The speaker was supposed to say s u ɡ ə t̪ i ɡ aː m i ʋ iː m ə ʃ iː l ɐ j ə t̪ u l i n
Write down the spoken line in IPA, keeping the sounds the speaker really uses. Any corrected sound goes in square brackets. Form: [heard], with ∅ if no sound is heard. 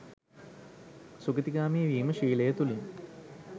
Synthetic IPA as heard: s u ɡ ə t̪ i ɡ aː m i ʋ iː m ə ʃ iː l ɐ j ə t̪ u l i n